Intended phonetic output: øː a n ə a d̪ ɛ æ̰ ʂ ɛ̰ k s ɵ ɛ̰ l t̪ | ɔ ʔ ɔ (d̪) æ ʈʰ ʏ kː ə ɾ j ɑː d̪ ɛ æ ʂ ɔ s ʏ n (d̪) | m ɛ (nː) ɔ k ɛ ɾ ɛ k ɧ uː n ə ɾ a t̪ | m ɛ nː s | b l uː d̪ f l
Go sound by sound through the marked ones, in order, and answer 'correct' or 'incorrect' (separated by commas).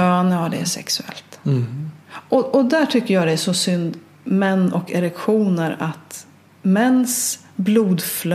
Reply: correct, correct, correct